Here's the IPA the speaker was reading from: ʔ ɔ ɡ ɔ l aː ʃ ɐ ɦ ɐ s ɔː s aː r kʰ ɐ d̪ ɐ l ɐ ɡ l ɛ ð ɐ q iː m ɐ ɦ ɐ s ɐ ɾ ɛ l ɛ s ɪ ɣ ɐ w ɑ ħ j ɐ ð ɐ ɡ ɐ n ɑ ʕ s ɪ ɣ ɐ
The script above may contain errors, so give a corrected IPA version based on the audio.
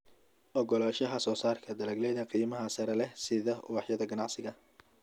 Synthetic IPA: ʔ ɔ ɡ ɔ l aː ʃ ɐ ɦ ɐ s ɔː s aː r kʰ ɐ d̪ ɐ l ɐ ɡ l ɛ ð ɐ q iː m ɐ ɦ ɐ s ɐ ɾ ɛ l ɛ s ɪ ð ɐ w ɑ ħ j ɐ ð ɐ ɡ ɐ n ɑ ʕ s ɪ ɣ ɐ

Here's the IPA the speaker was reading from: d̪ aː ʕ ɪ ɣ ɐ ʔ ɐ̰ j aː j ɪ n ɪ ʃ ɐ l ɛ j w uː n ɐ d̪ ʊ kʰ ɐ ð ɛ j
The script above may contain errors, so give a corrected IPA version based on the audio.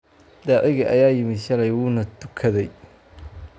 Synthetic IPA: d̪ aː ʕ ɪ ɣ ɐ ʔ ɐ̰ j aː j ɪ m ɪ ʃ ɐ l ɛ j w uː n ɐ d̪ ʊ kʰ ɐ ð ɛ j

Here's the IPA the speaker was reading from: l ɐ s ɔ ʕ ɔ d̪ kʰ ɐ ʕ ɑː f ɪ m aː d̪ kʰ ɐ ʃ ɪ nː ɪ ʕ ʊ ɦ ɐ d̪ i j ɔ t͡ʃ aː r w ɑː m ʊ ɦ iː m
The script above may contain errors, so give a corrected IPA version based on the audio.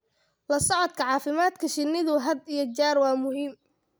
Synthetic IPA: l ɐ s ɔ ʕ ɔ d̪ kʰ ɐ ʕ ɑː f ɪ m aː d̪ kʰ ɐ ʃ ɪ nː ɪ ð ʊ ɦ ɐ d̪ i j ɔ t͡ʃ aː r w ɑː m ʊ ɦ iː m

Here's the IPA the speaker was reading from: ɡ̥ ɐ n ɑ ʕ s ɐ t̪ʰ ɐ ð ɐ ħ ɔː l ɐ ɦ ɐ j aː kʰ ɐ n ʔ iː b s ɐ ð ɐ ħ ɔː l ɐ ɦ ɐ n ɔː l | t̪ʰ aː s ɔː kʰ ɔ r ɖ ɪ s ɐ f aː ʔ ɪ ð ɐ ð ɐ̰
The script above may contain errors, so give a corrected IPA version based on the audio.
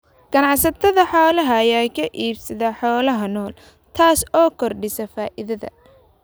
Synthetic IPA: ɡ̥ ɐ n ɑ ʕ s ɐ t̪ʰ ɐ ð ɐ ħ ɔː l ɐ ɦ ɐ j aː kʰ ɐ ʔ iː b s ɐ ð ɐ ħ ɔː l ɐ ɦ ɐ n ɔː l | t̪ʰ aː s ɔː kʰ ɔ r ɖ ɪ s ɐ f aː ʔ ɪ ð ɐ ð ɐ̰

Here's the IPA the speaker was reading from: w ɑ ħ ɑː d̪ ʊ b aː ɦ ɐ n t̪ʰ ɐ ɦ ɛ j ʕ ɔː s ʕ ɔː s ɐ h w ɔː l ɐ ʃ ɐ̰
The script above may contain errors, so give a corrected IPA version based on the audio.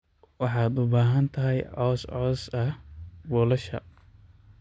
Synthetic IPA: w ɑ ħ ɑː d̪ ʊ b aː ɦ ɐ n t̪ʰ ɐ ɦ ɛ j ʕ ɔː s ʕ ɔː s ɐ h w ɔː l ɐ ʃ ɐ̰

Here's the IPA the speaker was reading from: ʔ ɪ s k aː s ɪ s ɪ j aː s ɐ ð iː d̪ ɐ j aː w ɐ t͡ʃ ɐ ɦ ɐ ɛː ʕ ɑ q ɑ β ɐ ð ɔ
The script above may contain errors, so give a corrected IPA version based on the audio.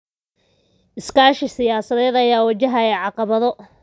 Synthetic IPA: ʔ ɪ s k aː ʃ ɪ s ɪ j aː s ɐ ð ɛː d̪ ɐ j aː w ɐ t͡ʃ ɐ ɦ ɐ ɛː ʕ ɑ q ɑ β ɐ ð ɔ

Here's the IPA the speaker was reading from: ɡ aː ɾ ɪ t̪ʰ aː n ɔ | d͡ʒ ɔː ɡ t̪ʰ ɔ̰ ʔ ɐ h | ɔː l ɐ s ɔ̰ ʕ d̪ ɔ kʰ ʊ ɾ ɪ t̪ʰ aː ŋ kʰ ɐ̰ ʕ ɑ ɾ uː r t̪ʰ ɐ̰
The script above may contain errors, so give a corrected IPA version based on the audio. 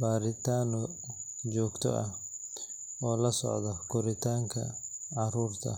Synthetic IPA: b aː ɾ ɪ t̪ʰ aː n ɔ | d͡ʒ ɔː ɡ t̪ʰ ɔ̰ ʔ ɐ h | ɔː l ɐ s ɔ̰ ʕ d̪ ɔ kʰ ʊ ɾ ɪ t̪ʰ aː ŋ kʰ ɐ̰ ʕ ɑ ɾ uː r t̪ʰ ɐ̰

